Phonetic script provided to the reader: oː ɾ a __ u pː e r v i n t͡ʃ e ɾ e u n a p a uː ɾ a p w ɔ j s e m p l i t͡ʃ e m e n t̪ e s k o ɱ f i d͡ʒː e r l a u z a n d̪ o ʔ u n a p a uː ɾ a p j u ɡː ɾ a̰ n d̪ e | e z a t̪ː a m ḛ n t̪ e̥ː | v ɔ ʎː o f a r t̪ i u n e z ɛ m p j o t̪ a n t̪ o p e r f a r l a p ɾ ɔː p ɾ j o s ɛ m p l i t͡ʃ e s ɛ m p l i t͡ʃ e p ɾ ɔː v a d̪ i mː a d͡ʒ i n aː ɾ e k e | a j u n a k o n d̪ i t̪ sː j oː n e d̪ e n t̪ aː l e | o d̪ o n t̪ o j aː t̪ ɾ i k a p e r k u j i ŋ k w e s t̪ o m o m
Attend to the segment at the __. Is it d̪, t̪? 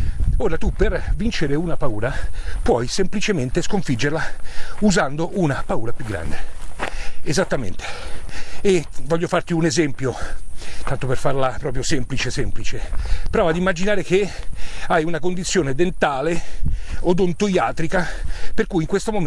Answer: t̪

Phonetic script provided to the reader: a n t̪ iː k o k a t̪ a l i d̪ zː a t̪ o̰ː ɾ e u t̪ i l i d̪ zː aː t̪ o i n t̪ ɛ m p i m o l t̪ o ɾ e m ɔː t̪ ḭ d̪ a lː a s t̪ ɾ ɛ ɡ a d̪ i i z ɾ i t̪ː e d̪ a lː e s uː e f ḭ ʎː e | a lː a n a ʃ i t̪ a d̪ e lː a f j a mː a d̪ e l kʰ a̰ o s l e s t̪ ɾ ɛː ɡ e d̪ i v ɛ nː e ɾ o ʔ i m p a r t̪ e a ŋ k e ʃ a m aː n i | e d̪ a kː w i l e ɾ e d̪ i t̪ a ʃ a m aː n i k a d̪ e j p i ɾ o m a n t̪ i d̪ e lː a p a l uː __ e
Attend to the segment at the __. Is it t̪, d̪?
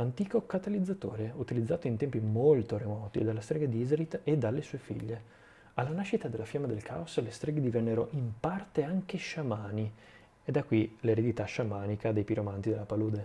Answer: d̪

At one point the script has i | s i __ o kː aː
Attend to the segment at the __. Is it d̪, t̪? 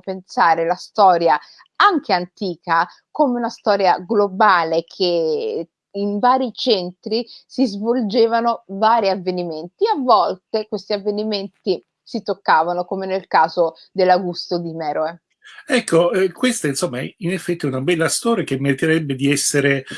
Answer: t̪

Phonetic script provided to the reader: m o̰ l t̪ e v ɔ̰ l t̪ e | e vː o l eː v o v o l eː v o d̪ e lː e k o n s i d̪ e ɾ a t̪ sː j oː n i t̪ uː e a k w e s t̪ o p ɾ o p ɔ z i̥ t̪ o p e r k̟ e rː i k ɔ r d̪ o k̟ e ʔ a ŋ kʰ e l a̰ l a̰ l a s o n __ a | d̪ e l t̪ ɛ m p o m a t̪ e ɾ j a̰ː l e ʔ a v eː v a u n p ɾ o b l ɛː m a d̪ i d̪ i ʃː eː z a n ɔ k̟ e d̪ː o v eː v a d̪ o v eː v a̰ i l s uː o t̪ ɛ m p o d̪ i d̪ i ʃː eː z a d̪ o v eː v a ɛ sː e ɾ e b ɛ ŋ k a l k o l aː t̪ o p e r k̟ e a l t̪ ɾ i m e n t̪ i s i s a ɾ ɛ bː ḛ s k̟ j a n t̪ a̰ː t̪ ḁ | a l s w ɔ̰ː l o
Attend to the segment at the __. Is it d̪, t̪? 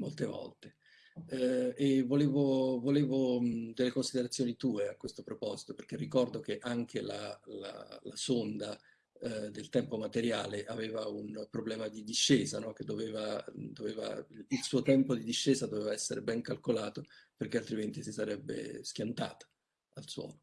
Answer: d̪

